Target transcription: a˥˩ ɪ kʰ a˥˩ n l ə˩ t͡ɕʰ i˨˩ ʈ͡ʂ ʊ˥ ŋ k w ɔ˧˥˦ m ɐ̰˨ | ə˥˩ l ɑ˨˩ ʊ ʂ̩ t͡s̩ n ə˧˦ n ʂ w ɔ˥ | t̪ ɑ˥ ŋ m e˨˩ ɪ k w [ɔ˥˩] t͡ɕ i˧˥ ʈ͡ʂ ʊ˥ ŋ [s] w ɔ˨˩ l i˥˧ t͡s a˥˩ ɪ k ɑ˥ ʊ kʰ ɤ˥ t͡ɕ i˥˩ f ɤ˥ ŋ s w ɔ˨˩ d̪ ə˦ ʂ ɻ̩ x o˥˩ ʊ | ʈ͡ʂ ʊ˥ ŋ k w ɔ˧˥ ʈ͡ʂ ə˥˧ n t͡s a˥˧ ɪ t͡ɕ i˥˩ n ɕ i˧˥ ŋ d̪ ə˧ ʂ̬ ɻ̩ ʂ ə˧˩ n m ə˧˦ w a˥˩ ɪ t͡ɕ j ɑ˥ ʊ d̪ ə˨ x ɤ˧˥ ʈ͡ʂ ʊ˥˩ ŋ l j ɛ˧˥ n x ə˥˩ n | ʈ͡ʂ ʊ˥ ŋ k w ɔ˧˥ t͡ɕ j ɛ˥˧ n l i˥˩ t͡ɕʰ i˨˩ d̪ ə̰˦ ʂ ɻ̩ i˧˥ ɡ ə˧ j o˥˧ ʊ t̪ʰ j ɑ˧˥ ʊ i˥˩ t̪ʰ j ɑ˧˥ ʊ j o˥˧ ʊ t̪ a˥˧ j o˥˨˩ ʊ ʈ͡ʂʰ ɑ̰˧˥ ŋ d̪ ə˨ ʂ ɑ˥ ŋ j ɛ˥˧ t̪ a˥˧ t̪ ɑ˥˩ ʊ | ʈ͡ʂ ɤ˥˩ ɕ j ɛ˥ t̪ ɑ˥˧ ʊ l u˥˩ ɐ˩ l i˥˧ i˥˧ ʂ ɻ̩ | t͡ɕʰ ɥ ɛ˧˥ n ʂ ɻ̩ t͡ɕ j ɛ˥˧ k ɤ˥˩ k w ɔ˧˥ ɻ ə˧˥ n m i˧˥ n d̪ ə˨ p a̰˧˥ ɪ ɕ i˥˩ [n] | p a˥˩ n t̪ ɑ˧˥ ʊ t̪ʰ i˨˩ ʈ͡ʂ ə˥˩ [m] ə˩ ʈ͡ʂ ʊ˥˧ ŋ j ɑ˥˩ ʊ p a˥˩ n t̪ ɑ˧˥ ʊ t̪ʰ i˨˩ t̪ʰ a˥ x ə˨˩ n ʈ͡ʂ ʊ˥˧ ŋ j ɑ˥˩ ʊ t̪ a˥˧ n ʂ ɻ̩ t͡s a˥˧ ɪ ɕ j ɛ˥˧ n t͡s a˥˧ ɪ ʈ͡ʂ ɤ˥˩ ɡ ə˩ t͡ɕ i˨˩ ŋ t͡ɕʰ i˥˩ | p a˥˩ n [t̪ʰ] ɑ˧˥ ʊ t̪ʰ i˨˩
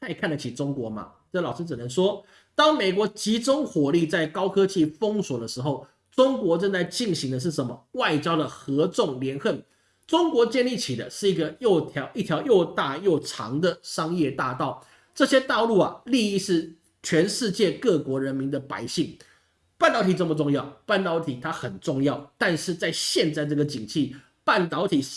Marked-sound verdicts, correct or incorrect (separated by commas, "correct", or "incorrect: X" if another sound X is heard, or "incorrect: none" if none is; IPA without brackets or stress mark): incorrect: ɔ˨˧˥, incorrect: x, incorrect: ŋ, correct, incorrect: t̪